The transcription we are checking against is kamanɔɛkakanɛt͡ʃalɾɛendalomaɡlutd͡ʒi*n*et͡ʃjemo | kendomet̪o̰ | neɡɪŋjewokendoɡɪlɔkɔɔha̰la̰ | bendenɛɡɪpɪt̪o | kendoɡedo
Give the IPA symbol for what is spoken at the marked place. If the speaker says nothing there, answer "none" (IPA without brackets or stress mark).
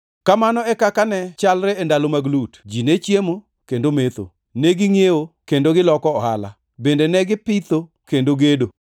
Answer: n